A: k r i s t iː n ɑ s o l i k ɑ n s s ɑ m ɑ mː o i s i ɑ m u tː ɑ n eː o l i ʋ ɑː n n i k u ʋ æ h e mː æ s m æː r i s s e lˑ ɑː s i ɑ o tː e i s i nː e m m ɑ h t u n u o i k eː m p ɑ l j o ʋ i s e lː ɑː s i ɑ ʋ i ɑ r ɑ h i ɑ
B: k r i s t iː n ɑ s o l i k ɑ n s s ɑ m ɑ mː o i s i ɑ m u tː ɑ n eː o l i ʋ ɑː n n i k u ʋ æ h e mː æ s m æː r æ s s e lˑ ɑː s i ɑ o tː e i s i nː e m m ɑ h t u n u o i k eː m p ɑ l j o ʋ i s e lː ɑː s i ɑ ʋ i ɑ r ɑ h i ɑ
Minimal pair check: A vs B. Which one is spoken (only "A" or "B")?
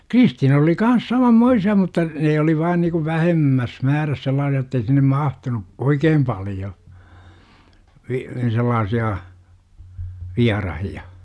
B